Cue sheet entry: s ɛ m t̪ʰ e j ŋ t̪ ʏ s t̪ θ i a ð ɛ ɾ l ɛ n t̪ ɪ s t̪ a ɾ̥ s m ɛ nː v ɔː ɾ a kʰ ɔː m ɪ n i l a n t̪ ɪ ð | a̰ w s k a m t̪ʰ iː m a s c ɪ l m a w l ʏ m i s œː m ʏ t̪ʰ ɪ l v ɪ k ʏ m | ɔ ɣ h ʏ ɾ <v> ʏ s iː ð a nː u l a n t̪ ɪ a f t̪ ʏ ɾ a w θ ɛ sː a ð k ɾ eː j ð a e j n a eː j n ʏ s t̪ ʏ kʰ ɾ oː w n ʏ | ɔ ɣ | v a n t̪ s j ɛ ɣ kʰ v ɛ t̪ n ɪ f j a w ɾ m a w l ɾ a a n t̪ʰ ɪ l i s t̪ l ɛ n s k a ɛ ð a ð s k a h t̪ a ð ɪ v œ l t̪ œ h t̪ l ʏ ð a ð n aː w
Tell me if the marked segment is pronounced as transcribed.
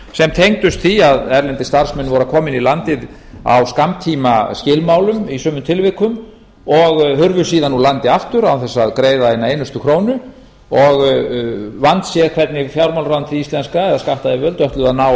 yes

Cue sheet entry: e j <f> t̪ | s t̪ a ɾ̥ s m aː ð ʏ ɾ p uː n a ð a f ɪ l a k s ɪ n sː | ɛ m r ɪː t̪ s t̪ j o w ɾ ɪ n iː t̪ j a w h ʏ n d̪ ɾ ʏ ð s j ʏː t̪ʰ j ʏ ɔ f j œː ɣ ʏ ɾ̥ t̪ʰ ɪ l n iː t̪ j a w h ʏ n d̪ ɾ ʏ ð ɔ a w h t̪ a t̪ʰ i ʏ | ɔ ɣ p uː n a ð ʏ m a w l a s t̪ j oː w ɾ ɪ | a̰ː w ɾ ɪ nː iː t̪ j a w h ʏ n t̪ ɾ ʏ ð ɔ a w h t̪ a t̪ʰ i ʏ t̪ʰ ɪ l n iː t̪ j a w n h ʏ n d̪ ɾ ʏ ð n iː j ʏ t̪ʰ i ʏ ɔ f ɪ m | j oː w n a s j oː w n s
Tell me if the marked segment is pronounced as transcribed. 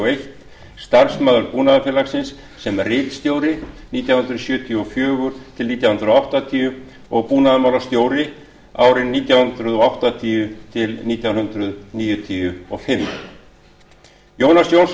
no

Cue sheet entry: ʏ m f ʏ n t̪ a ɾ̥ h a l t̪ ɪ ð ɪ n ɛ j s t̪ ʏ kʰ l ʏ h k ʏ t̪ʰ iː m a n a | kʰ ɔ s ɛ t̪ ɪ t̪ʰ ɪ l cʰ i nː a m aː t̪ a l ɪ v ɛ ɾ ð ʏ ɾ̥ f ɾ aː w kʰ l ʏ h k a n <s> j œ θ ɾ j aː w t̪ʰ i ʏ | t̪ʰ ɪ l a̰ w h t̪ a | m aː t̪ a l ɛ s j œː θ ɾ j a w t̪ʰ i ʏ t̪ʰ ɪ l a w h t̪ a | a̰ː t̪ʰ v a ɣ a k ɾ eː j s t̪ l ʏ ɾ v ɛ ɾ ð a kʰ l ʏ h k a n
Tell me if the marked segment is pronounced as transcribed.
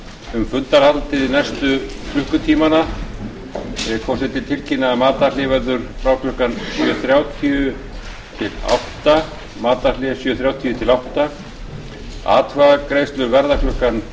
yes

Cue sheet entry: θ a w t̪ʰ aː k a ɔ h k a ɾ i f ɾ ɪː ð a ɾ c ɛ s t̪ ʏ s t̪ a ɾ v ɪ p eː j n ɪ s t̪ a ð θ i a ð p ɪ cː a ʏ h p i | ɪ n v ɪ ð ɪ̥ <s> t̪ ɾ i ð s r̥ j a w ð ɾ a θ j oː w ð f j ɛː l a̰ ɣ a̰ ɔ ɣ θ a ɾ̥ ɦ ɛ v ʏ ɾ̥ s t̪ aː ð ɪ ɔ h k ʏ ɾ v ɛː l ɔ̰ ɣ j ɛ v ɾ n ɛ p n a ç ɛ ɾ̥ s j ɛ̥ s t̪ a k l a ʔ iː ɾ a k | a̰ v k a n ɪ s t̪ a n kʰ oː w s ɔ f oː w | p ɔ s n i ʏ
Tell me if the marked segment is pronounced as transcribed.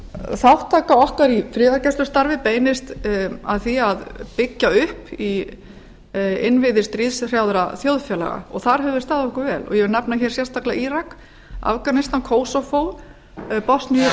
yes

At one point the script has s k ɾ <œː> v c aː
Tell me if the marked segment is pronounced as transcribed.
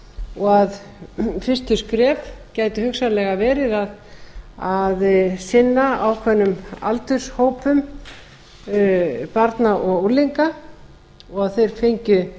no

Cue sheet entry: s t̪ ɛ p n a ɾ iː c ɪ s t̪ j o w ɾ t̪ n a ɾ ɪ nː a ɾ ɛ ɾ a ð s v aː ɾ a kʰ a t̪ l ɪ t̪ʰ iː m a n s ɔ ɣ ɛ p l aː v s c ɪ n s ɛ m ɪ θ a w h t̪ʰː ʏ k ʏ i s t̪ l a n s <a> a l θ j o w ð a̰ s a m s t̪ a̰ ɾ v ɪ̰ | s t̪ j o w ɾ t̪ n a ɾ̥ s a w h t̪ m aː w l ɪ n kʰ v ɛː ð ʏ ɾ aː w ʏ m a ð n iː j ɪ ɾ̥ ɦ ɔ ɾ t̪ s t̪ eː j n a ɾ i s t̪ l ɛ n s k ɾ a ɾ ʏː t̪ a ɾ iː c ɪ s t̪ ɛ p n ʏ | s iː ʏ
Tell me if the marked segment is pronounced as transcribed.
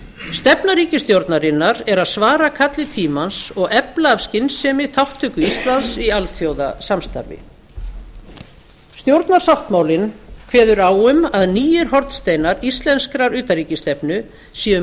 no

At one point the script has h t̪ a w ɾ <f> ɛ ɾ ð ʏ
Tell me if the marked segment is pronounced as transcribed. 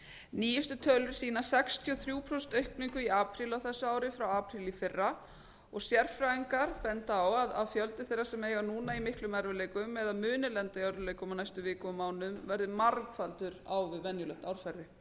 yes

